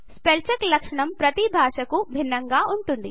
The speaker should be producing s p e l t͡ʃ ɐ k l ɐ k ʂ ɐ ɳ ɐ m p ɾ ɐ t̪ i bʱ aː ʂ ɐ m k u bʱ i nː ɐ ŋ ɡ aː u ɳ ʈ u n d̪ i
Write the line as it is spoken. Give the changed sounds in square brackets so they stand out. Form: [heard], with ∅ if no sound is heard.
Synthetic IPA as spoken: s p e l t͡ʃ ɐ k l ɐ k ʂ ɐ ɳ ɐ m p ɾ ɐ t̪ i bʱ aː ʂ ɐ [∅] k u bʱ i nː ɐ ŋ ɡ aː u ɳ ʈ u n d̪ i